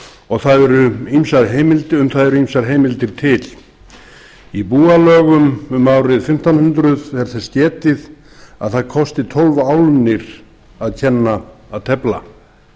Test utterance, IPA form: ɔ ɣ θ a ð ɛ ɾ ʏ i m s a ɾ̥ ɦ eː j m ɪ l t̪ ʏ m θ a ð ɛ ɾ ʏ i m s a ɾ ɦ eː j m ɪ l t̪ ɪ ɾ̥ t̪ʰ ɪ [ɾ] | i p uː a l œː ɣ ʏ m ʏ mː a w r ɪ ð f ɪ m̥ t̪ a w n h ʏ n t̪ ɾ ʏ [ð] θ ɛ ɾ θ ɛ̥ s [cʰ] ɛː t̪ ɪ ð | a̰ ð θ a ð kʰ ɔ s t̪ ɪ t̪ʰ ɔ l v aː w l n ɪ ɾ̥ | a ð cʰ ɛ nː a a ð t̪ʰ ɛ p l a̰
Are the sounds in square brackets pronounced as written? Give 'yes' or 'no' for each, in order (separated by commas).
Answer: no, yes, no